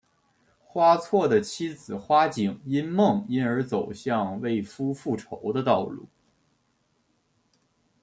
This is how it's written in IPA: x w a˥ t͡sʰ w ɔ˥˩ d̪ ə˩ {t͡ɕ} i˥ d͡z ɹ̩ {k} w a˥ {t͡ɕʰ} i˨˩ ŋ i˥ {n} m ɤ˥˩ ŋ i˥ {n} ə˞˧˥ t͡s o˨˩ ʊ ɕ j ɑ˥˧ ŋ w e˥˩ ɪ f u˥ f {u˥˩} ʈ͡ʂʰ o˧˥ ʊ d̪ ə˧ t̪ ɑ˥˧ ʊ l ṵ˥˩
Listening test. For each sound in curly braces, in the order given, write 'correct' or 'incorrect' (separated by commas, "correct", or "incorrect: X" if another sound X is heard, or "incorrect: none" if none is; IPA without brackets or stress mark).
incorrect: t͡ɕʰ, incorrect: x, incorrect: t͡ɕ, correct, correct, correct